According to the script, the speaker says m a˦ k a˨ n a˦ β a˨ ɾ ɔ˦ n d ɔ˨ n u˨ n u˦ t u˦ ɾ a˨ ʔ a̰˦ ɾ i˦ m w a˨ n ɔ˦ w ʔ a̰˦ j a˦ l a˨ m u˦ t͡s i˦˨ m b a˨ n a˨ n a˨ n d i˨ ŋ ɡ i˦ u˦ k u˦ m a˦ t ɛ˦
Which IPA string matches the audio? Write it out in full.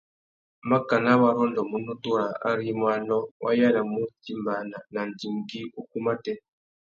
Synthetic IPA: m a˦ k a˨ n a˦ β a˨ ɾ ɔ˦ n d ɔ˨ m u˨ n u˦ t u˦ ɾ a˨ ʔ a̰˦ ɾ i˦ m w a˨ n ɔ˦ w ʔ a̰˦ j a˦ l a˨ m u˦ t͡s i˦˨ m b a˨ n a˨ n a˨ n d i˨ ŋ ɡ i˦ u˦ k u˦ m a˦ t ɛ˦